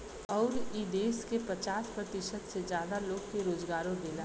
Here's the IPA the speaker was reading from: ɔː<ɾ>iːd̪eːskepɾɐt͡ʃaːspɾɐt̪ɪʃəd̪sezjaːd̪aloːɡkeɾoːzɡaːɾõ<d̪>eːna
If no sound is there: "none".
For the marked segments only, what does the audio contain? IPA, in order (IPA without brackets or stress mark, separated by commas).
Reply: ɾ, d̪